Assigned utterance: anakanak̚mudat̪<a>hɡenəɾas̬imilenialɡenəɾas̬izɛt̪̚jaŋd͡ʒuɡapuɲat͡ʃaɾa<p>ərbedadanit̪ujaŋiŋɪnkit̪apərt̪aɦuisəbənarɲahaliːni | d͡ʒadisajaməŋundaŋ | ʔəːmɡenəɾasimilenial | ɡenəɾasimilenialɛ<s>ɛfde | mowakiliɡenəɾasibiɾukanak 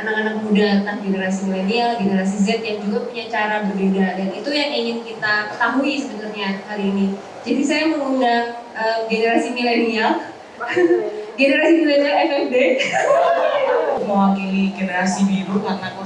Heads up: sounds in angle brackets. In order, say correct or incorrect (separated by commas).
correct, incorrect, incorrect